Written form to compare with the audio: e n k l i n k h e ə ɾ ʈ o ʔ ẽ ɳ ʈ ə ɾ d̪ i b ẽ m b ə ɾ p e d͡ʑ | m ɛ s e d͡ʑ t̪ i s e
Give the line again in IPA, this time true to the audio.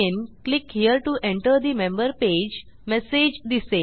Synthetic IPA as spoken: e n k l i k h i ə ɾ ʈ u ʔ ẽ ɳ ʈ ə ɾ d̪ i m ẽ m b ə ɾ p e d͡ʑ | m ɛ s e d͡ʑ d̪ i s e